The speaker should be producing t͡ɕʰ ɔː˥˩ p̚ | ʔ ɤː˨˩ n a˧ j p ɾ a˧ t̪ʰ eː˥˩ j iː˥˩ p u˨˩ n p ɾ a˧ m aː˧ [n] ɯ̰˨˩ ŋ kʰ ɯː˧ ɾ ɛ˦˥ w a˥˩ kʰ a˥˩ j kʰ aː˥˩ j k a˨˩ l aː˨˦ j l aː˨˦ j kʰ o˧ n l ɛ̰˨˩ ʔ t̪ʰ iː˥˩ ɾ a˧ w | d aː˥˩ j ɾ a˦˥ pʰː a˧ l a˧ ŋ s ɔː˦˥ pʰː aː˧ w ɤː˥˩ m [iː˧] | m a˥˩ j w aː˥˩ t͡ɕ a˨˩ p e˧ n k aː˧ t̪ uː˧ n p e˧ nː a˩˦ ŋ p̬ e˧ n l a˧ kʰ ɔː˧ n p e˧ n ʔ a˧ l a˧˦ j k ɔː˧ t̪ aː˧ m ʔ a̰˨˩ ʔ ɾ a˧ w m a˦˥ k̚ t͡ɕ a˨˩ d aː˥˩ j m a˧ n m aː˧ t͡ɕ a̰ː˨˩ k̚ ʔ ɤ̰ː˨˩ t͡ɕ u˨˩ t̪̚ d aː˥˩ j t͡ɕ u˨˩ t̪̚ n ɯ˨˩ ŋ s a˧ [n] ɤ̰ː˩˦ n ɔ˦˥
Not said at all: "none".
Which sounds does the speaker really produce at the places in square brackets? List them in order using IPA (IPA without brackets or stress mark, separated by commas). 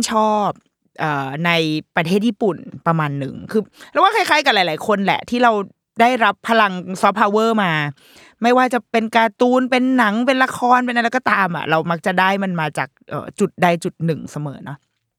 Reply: nː, aː˧, m